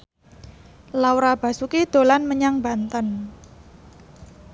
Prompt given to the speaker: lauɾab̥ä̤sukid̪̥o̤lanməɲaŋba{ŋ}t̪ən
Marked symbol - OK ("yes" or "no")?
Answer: no